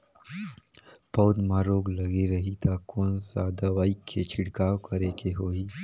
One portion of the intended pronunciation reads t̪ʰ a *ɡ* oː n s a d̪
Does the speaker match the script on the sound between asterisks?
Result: no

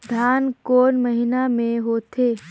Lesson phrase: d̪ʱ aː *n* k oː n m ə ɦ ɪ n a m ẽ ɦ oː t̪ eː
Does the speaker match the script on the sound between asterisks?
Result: yes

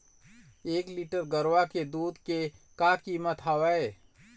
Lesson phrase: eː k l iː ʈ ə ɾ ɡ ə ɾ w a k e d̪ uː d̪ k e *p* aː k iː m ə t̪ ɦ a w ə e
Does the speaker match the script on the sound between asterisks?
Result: no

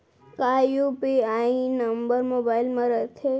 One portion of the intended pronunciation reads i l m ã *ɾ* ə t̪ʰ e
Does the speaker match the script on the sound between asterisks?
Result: yes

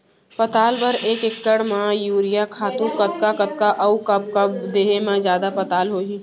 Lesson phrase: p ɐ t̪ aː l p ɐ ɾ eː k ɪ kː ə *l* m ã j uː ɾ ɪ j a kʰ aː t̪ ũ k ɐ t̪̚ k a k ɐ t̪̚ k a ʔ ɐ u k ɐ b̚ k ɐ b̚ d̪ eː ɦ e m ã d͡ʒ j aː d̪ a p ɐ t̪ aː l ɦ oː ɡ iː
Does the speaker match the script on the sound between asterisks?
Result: no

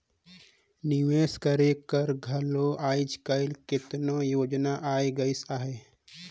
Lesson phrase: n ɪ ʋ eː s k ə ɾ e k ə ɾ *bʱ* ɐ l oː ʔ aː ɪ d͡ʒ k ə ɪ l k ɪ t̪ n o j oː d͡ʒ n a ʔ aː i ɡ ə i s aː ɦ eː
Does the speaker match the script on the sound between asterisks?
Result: no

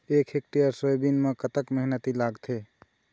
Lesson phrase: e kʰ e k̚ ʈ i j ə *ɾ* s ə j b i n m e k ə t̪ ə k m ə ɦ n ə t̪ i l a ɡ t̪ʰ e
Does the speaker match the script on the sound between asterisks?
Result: yes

